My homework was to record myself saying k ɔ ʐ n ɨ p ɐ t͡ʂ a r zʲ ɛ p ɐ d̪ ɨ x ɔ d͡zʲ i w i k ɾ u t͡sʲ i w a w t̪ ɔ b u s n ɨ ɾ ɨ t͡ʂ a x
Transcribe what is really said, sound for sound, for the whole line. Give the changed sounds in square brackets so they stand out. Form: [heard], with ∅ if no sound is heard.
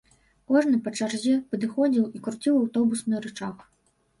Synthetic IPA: k ɔ ʐ n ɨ p ɐ t͡ʂ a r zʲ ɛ p ɐ d̪ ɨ x ɔ d͡zʲ i w i k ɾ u t͡sʲ i w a w t̪ ɔ b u s n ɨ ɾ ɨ t͡ʂ a x